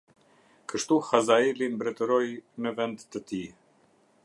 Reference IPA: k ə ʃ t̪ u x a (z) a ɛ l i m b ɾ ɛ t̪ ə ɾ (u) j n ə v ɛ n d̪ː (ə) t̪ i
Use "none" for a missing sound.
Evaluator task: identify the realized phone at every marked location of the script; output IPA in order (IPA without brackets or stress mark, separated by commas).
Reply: z, ɔ, ə